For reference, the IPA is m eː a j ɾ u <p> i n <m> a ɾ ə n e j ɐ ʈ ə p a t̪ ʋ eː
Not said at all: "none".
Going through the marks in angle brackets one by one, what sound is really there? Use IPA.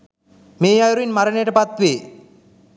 none, m

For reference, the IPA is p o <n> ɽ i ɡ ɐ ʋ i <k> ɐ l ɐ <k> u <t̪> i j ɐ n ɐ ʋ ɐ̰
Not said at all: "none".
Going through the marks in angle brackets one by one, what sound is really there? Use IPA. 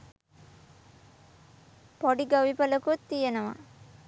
none, p, k, t̪

